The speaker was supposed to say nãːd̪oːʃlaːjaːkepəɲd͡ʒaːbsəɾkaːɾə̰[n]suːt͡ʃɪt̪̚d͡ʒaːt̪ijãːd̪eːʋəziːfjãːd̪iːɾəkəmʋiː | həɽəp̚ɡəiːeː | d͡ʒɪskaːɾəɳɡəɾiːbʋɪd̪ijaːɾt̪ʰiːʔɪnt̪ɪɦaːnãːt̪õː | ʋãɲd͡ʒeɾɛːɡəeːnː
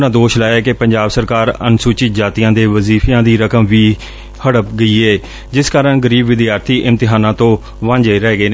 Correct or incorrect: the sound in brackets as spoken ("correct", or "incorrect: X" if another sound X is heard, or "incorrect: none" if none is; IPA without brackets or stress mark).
correct